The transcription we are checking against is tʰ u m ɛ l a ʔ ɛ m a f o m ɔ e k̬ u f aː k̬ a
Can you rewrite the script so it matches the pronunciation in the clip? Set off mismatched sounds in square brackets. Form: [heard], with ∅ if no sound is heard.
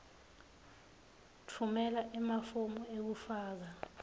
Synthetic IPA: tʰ u m ɛ l a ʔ ɛ m a f o m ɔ e k̬ u f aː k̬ a